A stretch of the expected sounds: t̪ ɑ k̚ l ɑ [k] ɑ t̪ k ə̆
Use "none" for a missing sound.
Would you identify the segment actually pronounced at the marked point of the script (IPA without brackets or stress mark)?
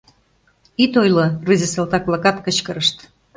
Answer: k